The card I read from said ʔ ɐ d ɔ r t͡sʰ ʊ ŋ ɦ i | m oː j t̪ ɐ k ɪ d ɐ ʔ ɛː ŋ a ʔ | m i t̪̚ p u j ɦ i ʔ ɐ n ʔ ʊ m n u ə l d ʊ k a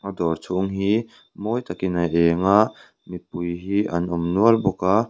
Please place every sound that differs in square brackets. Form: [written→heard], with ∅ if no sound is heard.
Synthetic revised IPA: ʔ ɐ d ɔ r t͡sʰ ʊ ŋ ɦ i | m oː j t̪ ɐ k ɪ [d→n] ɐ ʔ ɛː ŋ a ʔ | m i t̪̚ p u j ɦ i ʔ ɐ n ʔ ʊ m n u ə l [d→b] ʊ k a